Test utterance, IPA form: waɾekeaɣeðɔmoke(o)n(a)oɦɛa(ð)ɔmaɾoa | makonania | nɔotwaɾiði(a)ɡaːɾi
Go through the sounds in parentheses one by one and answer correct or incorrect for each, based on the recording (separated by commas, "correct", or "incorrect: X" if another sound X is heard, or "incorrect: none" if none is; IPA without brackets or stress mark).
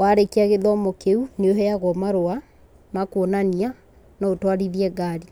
incorrect: u, incorrect: e, incorrect: ɣ, incorrect: ɛ